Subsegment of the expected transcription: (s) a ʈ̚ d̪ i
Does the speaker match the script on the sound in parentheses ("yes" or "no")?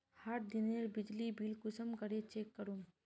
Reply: no